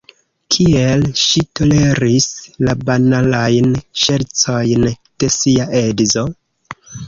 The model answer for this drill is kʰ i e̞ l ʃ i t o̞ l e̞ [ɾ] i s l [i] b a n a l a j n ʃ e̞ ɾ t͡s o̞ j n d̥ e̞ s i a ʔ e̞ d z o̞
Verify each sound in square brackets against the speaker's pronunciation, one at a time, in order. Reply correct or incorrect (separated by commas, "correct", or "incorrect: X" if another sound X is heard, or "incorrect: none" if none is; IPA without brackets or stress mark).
correct, incorrect: a